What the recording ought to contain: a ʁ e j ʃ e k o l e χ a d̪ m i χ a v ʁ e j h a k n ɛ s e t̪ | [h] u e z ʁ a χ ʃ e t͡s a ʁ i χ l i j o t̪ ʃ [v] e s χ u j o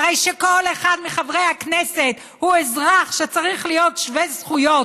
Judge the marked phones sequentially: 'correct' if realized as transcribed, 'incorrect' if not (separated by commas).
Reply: correct, correct